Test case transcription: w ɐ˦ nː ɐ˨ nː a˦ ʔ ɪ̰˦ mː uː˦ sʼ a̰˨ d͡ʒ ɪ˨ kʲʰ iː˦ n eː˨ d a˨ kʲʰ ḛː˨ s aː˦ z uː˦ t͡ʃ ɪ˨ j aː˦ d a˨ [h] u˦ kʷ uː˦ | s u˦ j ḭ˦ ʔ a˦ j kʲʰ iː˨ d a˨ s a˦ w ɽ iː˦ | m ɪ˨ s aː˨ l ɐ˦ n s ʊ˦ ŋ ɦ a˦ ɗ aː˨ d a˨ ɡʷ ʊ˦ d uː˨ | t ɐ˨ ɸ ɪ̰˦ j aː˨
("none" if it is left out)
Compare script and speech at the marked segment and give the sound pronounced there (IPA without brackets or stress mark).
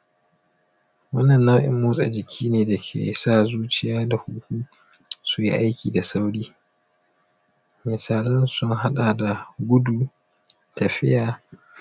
h